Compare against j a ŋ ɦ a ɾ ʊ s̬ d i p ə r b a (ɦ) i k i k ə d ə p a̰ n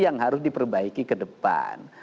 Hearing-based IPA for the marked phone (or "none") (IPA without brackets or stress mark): none